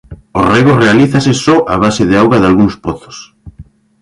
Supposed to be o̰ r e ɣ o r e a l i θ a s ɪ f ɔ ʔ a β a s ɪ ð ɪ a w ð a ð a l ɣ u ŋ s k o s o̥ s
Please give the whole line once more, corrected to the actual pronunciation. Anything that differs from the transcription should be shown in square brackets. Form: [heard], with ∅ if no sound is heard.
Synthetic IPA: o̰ r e ɣ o r e a l i θ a s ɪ [s] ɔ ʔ a β a s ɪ ð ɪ a w [ɣ] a ð a l ɣ u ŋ s [p] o [θ] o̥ s